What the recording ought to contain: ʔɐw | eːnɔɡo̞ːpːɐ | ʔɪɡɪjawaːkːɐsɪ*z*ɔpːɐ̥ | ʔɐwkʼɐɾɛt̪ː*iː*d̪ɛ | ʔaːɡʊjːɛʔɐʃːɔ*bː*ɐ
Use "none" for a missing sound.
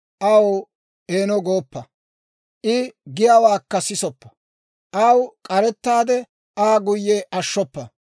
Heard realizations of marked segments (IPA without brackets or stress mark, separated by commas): s, aː, pː